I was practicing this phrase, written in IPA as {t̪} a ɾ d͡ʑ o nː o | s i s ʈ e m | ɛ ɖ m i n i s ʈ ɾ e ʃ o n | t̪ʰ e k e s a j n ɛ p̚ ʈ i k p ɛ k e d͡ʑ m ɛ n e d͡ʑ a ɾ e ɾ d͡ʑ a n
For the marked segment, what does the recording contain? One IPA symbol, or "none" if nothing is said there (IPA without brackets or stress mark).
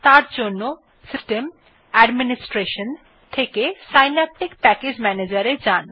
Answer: t̪